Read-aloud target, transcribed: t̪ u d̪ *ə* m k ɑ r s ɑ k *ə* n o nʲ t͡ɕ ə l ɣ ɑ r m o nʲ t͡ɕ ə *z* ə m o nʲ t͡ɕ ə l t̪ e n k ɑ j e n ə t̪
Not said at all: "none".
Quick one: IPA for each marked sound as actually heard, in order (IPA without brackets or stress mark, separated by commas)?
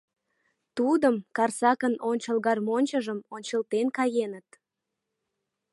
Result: ə, ə, ʒ